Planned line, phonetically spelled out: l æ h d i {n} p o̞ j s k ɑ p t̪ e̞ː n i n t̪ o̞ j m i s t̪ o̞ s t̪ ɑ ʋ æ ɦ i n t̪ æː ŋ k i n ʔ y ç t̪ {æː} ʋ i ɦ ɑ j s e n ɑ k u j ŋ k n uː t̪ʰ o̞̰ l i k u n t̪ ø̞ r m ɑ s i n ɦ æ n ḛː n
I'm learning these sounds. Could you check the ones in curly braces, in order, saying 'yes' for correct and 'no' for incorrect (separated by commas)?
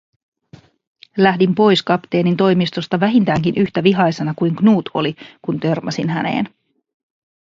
no, no